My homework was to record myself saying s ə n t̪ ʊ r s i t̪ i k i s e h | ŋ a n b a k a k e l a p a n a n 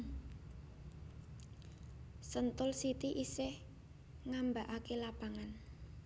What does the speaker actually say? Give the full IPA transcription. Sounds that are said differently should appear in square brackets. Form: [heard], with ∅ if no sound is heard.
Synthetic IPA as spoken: s ə n t̪ ʊ [l] s i t̪ i [ʔ] i s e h | ŋ a [m] b a [ʔ] a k e l a p a [ŋ] a n